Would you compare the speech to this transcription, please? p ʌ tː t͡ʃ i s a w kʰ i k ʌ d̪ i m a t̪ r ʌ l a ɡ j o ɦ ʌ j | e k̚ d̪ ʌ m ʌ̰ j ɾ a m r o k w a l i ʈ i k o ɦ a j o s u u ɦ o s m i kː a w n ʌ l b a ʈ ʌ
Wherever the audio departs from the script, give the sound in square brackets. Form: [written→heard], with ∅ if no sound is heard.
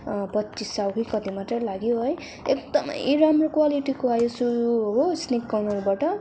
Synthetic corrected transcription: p ʌ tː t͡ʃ i s a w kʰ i k ʌ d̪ i m a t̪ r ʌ l a ɡ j o ɦ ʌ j | e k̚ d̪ ʌ m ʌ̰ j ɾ a m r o k w a l i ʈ i k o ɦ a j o s u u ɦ o s [m→n] i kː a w n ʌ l b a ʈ ʌ